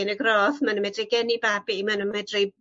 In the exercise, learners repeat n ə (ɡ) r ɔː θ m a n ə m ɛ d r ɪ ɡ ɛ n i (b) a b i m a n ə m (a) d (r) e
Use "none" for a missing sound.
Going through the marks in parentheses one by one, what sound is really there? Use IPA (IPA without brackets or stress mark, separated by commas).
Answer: ɡ, b, ɛ, r